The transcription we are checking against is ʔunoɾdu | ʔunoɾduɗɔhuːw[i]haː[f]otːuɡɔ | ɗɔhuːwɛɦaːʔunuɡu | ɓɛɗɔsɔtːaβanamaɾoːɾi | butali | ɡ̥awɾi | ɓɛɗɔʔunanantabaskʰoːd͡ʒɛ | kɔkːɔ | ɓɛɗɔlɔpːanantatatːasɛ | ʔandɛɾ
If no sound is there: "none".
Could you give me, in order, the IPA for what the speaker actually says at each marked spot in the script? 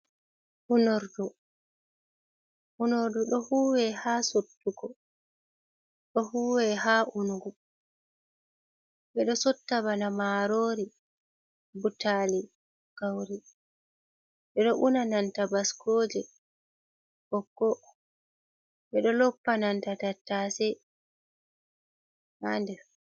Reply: ɛ, s

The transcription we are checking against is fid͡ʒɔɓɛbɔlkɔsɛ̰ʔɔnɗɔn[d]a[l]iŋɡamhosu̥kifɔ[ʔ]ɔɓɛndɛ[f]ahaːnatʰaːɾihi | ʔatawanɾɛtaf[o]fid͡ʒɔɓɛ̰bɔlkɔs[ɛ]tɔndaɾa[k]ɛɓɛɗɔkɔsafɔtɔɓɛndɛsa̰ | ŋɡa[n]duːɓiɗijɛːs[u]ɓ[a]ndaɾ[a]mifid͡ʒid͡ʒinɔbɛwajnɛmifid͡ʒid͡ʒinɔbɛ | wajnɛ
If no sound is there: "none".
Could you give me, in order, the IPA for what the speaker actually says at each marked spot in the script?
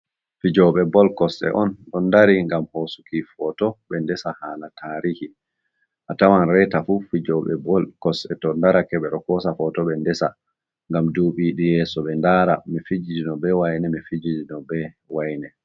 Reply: d, ɾ, t, s, u, ɛ, k, m, ɔ, ɛ, a

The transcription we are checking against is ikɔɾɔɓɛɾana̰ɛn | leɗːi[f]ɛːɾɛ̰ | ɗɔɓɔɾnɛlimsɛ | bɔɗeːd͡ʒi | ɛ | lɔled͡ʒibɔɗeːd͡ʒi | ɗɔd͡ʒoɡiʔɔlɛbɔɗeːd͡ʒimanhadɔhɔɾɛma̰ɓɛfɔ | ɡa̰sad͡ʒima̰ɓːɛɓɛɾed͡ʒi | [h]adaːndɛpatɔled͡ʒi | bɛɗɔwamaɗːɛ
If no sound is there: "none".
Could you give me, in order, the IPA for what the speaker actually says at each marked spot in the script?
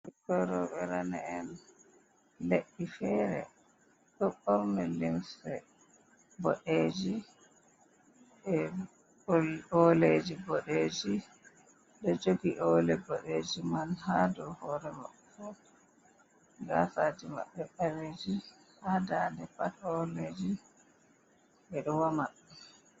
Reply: f, h

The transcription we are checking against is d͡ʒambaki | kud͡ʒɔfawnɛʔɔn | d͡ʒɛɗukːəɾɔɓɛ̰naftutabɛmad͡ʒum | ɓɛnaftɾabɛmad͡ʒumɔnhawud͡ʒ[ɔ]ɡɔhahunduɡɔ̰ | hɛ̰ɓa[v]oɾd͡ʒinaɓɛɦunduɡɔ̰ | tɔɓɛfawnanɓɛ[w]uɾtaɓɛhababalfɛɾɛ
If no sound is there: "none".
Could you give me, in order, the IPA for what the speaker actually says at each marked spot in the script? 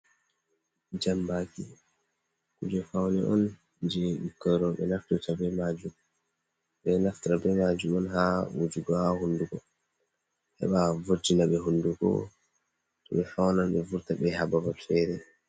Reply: u, v, v

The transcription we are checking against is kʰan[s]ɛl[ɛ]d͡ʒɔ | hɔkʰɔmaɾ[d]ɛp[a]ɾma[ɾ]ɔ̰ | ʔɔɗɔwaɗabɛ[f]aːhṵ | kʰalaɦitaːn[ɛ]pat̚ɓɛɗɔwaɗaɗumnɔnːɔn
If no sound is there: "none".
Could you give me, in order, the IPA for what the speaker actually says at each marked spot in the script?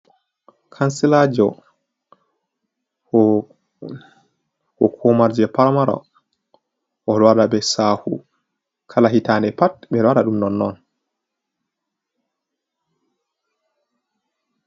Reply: s, a, d͡ʒ, a, ɾ, s, ɛ

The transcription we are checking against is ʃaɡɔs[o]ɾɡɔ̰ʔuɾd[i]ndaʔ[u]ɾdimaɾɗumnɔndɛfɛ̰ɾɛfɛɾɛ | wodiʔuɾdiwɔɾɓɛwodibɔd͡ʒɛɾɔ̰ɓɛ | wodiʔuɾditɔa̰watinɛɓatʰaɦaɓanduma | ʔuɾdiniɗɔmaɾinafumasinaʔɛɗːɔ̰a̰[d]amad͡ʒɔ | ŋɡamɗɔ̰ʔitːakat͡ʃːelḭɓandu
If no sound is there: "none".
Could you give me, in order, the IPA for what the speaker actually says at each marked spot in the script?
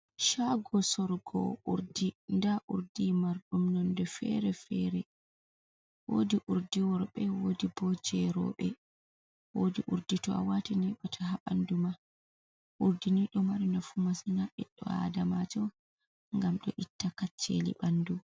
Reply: ɔ, i, u, d

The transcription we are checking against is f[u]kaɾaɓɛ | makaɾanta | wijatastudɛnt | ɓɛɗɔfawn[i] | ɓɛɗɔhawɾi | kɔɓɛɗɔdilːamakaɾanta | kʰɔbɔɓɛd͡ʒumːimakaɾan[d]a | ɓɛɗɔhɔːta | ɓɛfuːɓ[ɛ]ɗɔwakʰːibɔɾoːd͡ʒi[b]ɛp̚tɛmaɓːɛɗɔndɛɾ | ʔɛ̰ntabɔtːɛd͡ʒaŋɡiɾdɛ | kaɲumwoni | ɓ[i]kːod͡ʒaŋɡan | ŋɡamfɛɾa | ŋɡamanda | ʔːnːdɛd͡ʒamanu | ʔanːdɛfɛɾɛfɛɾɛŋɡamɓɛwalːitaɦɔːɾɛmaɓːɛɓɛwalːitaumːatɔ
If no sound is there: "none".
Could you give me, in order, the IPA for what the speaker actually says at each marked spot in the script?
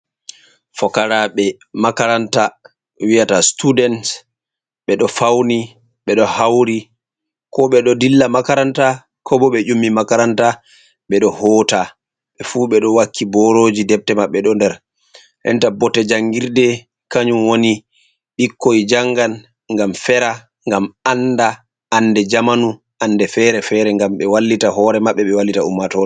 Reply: ɔ, i, t, ɛ, d, i

